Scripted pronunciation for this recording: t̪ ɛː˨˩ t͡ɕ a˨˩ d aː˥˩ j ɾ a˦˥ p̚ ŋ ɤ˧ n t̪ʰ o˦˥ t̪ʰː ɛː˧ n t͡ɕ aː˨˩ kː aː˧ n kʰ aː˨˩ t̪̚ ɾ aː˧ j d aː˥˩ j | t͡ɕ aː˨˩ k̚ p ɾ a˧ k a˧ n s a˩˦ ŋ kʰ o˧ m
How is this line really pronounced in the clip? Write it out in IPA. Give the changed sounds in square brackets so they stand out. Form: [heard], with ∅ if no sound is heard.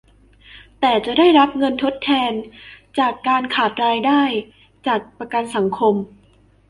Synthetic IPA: t̪ ɛː˨˩ t͡ɕ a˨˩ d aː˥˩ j ɾ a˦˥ p̚ ŋ ɤ˧ n t̪ʰ o˦˥ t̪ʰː ɛː˧ n t͡ɕ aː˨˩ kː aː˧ n kʰ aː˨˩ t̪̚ ɾ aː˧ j d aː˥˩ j | t͡ɕ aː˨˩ k̚ p ɾ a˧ k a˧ n s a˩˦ ŋ kʰ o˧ m